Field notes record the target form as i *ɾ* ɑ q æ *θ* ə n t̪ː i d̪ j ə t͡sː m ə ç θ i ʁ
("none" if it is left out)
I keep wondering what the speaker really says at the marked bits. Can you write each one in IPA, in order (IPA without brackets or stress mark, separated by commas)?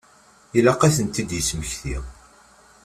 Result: l, θ